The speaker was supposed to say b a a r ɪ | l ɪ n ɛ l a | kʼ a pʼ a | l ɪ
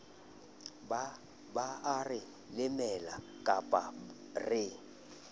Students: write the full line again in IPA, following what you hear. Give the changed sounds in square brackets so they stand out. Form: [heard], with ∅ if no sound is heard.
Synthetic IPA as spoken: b a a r ɪ | l ɪ [m] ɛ l a | kʼ a pʼ a | [r] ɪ